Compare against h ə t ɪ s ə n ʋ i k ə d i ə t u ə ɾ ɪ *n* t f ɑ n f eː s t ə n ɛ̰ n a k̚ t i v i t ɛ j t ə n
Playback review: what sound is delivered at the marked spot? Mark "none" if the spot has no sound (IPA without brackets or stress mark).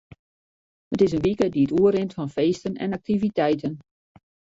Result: n